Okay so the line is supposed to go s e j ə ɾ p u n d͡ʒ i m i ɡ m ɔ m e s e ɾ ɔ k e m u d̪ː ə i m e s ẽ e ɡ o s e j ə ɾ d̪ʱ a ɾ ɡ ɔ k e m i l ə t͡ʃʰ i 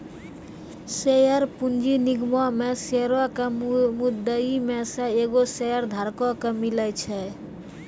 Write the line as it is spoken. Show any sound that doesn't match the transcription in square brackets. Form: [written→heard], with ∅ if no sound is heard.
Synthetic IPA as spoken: s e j ə ɾ p u n d͡ʒ i [m→n] i ɡ m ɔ m e s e ɾ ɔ k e m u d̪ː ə i m e s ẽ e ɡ o s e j ə ɾ d̪ʱ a ɾ [ɡ→k] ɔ k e m i l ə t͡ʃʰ [i→ɛ]